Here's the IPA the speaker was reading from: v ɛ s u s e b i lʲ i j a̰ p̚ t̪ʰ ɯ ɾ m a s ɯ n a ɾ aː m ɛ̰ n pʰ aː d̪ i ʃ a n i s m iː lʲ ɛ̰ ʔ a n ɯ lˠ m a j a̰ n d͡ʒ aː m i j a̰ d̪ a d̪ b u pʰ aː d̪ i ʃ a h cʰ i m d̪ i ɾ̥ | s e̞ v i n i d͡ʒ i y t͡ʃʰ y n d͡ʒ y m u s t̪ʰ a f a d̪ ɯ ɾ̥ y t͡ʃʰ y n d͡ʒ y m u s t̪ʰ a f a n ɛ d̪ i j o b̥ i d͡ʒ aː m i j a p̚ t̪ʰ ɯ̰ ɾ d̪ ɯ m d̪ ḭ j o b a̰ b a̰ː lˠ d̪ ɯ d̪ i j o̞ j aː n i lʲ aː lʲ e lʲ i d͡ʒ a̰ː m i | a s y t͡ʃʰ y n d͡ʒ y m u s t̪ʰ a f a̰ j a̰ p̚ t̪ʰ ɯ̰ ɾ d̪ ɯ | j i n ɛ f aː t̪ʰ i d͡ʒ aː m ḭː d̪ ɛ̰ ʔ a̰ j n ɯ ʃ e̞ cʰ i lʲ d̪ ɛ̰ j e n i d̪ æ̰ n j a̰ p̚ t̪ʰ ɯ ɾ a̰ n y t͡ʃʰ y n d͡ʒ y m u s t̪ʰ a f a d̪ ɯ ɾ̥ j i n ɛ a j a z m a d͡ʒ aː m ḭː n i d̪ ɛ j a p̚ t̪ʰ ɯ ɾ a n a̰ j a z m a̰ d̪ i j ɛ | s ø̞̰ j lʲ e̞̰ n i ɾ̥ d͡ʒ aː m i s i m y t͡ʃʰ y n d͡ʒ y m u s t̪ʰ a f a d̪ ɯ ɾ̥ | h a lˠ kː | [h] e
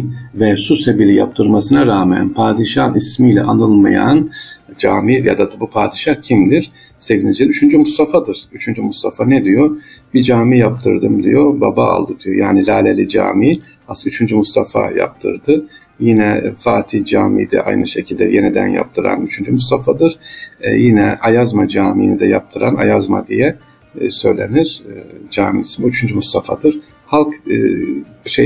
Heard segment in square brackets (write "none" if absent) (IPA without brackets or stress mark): ʃ